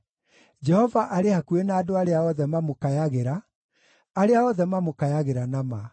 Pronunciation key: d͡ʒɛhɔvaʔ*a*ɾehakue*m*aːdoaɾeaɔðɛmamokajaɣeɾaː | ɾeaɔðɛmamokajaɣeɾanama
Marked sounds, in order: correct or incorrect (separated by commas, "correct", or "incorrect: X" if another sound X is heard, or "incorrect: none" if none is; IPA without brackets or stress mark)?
correct, incorrect: n